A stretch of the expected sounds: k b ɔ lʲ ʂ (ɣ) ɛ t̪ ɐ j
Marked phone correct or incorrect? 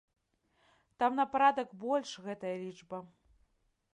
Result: correct